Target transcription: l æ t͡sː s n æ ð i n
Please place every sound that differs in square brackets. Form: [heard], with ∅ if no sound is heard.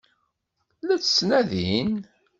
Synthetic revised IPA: l æ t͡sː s n æ ð i n